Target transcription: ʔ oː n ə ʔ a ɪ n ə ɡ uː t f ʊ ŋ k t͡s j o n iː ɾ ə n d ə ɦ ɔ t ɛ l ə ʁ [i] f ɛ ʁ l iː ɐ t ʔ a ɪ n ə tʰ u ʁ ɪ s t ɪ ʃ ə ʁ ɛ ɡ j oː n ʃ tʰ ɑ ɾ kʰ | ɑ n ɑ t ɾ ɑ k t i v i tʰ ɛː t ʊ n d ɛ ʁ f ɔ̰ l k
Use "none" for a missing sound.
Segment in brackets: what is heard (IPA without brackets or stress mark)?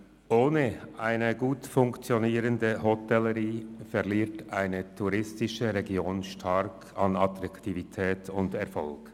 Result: iː